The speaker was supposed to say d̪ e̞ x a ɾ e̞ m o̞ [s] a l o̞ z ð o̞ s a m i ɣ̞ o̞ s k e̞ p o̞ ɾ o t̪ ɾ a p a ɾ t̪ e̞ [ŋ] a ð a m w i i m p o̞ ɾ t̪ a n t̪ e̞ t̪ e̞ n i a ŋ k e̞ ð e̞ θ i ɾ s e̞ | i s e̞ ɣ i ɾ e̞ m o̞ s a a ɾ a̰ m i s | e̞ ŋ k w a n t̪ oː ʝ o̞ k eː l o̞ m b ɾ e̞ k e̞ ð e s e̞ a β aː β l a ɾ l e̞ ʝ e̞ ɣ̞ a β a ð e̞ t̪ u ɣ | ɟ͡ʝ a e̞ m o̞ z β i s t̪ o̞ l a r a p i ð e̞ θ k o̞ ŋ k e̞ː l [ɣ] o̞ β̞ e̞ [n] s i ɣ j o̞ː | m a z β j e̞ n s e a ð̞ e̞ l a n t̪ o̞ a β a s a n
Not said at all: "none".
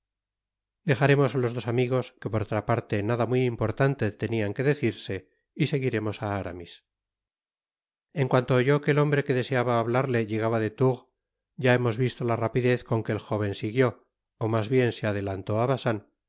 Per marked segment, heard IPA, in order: s, n, x, n

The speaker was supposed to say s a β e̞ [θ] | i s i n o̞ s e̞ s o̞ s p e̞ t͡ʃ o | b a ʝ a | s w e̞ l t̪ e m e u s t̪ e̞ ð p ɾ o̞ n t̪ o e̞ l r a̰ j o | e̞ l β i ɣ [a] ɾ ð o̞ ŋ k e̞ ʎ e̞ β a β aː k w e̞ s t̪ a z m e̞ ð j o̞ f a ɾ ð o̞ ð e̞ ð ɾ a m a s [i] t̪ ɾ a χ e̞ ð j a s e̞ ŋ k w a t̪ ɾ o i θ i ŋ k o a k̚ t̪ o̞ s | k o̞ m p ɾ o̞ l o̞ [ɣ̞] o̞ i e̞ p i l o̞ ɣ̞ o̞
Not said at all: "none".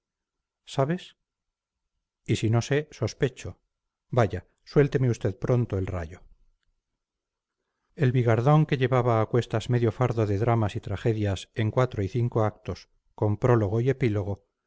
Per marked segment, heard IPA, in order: s, a, i, ɣ̞

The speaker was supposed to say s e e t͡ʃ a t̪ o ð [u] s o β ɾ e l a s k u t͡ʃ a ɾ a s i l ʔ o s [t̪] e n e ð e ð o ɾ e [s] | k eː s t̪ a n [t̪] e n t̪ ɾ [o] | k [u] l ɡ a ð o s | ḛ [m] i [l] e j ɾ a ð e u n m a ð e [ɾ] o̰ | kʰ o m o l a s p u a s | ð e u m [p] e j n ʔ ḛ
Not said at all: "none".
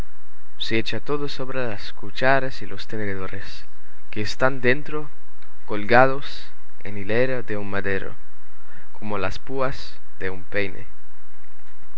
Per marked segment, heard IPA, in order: o, t̪, s, d̪, o, o, n, l, ɾ, p

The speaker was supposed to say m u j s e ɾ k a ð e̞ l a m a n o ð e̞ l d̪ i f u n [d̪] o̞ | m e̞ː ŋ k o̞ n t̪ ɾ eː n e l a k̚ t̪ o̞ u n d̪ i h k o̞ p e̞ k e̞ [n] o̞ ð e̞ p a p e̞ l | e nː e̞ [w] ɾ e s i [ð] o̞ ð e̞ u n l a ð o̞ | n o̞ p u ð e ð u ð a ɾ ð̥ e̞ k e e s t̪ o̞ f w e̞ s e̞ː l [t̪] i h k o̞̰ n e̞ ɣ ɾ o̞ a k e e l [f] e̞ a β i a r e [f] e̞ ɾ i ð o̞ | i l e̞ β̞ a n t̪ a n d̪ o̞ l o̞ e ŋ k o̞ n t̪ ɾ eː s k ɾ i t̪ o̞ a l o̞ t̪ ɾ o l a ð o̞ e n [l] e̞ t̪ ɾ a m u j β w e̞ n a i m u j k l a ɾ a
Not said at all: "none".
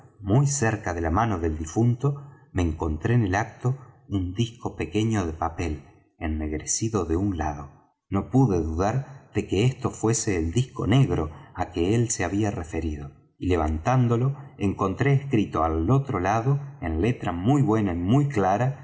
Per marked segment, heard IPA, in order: t̪, ɲ, ɣ, ð, d̪, s, f, l

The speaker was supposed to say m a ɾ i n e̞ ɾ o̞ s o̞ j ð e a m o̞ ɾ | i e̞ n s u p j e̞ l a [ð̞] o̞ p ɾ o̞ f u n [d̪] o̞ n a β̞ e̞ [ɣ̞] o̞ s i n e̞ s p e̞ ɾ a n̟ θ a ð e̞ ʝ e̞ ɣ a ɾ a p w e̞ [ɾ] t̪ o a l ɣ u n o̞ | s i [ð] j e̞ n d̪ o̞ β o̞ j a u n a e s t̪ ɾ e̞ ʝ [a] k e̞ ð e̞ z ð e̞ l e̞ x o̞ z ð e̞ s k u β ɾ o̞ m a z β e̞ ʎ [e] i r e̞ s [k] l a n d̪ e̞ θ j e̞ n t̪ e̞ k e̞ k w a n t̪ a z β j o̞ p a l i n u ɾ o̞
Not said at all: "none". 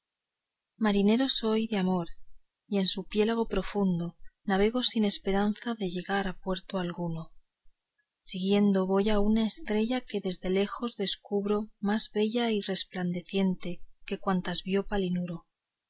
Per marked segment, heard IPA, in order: ɣ̞, d̪, ɣ̞, ɾ, ɣ, a, a, p

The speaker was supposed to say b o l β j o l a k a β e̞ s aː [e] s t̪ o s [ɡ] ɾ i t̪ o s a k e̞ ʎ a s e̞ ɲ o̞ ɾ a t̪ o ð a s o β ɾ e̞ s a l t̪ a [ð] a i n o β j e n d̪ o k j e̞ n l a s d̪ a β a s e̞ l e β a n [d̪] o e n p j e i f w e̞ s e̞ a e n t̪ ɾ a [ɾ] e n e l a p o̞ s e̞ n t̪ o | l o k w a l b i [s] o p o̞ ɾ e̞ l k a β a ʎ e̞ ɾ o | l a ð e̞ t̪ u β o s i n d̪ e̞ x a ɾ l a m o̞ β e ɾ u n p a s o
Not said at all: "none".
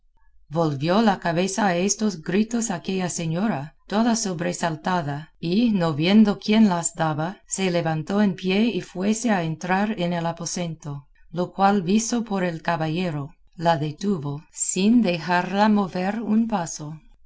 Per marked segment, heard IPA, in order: e, ɡ, ð, t̪, ɾ, s

